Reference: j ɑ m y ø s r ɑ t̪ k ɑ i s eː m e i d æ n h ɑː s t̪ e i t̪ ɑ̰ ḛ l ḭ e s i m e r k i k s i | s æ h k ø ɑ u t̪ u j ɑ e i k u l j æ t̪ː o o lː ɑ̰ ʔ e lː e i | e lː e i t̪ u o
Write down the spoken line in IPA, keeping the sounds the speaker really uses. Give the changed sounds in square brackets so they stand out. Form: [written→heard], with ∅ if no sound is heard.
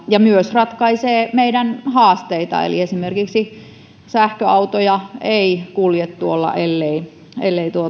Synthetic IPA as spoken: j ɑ m y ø s r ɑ t̪ k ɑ i s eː m e i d æ n h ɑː s t̪ e i t̪ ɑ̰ ḛ l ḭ e s i m e r k i k s i | s æ h k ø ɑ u t̪ [u→o] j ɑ e i k u l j [æ→e] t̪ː [o→u] o lː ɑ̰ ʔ e lː e i | e lː e i t̪ u o